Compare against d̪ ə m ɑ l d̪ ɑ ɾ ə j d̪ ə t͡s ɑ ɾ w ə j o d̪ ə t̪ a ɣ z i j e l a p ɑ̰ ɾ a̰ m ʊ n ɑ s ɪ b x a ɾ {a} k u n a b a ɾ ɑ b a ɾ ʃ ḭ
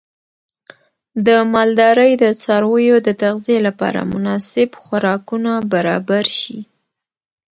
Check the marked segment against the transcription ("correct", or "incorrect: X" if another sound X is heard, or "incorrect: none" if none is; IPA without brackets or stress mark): incorrect: ɑ